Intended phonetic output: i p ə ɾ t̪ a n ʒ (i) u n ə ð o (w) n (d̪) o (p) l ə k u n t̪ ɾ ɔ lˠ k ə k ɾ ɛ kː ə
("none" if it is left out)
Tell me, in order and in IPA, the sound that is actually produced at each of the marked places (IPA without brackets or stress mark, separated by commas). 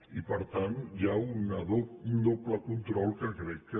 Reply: a, u, d̪, p